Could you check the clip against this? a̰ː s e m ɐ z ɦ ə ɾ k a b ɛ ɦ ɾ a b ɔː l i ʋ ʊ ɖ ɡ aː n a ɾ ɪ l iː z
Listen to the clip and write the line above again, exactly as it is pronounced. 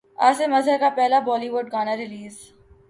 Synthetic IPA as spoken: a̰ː s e m ɐ z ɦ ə ɾ k a p ɛ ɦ l a b ɔː l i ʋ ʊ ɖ ɡ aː n a ɾ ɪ l iː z